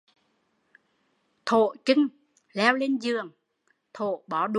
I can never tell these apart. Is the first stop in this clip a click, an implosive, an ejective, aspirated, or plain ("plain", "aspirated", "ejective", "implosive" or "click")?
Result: aspirated